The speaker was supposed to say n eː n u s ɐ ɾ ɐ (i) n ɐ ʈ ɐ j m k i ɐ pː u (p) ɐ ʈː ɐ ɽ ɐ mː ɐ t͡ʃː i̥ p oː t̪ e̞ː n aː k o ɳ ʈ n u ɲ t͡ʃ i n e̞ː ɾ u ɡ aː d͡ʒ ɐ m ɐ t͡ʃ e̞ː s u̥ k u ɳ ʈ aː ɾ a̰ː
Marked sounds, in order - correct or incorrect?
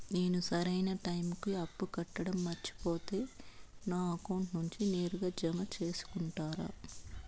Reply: incorrect, incorrect

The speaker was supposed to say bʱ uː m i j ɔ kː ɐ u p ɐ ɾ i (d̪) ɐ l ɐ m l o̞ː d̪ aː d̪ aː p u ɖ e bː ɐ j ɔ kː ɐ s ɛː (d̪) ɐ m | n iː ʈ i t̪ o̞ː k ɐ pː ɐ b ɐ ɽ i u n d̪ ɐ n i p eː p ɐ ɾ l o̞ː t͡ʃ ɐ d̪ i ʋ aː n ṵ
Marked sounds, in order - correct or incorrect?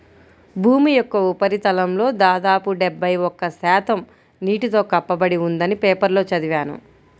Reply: incorrect, incorrect

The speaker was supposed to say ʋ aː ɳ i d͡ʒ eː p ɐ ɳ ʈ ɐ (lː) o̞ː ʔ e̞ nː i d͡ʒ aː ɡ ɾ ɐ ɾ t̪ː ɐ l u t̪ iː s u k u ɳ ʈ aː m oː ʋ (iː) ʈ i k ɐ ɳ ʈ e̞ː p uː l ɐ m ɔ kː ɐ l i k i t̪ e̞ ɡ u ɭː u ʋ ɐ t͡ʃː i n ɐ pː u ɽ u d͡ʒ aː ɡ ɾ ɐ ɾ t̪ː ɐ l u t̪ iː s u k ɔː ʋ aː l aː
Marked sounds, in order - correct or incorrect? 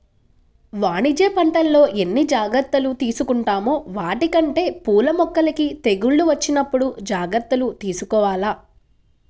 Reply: correct, incorrect

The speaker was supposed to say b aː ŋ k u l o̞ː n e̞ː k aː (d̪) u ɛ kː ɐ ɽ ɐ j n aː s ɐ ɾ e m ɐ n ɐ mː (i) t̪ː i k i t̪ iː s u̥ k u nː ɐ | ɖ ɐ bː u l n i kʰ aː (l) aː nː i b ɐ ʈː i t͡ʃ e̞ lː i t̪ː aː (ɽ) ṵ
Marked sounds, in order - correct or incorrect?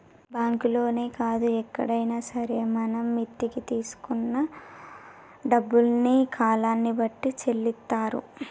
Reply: correct, correct, correct, incorrect

